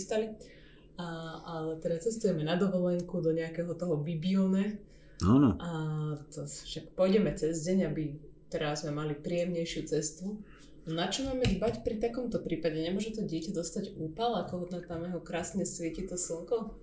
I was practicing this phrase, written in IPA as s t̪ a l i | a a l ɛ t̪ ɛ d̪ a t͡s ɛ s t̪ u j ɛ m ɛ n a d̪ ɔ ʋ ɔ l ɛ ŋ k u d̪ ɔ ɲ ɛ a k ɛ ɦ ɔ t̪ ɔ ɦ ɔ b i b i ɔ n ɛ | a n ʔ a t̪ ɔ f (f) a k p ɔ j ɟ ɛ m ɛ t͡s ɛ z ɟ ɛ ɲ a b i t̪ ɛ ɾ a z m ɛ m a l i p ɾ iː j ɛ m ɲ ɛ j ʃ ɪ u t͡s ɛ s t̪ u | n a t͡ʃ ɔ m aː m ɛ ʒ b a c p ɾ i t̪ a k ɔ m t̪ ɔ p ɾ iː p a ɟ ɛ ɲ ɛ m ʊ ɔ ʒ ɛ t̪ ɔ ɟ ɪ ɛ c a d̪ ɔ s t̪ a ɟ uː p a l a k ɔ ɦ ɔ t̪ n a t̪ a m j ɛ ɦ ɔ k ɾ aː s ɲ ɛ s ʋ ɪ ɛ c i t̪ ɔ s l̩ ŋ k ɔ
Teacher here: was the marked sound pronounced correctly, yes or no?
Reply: no